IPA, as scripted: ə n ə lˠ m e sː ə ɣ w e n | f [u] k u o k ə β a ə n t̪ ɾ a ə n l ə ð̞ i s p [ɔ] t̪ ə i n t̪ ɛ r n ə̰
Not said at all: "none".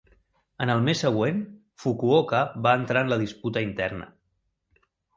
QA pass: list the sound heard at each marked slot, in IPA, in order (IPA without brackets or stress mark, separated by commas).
u, u